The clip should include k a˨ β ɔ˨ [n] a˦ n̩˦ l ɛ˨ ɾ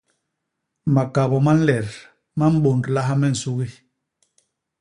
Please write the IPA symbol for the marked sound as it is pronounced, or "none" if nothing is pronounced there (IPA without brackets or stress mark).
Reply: m